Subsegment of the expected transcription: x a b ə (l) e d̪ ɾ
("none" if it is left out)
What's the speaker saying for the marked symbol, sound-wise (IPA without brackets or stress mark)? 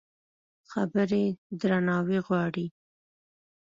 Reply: ɾ